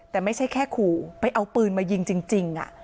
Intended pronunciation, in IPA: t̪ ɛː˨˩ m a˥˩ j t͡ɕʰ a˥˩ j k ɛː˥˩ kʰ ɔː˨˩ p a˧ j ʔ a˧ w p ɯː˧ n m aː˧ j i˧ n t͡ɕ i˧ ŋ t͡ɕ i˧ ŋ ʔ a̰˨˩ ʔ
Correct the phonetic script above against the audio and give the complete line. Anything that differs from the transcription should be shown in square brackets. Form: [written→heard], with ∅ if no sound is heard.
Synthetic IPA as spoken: t̪ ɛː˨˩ m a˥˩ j t͡ɕʰ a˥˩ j [k→kʰ] ɛː˥˩ kʰ [ɔː˨˩→uː˨˩] p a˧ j ʔ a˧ w p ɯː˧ n m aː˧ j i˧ [n→ŋ] t͡ɕ i˧ ŋ t͡ɕ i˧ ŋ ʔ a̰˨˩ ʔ